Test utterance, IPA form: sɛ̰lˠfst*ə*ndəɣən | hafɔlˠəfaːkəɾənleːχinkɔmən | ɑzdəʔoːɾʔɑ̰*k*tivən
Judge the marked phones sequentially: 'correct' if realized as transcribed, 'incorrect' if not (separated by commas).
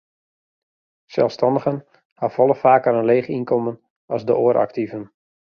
incorrect, correct